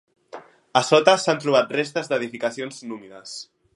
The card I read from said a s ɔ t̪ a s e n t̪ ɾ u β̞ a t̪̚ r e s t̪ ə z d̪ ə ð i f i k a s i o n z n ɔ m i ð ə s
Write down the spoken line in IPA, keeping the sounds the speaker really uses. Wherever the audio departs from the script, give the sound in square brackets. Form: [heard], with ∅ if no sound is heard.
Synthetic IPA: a s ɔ t̪ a s [a] n t̪ ɾ u β̞ a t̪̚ r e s t̪ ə z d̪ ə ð i f i k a s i o n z n [u] m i ð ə s